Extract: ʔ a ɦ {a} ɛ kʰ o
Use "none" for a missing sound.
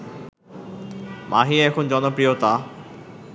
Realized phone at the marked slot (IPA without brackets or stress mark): i